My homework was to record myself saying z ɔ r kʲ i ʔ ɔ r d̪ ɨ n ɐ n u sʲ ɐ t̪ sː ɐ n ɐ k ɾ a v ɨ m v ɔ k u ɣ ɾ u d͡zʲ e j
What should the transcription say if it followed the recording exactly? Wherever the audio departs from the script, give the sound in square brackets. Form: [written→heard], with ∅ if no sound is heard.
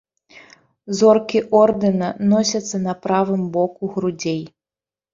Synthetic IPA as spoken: z ɔ r kʲ i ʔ ɔ r d̪ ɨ n ɐ n [u→ɔ] sʲ ɐ t̪ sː ɐ n ɐ [k→p] ɾ a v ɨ m [v→b] ɔ k u ɣ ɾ u d͡zʲ e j